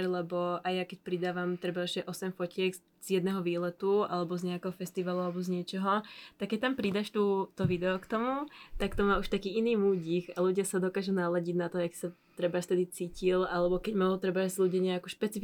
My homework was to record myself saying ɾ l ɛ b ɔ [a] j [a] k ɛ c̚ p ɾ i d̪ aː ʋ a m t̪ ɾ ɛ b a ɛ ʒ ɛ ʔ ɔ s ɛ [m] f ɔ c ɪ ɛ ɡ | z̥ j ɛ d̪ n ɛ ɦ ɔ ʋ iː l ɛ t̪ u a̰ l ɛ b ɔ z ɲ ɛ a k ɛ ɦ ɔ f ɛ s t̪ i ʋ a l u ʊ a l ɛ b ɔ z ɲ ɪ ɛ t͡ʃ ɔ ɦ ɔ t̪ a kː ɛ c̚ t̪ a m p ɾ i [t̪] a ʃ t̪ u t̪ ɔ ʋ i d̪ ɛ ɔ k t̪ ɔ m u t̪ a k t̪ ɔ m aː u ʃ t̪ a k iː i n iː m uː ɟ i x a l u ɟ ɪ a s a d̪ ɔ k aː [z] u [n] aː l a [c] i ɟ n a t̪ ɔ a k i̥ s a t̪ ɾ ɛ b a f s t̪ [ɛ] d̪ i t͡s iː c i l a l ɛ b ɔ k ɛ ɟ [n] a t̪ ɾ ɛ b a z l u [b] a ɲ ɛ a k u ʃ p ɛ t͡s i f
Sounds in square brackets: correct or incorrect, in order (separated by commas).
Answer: correct, correct, correct, incorrect, incorrect, correct, incorrect, correct, incorrect, incorrect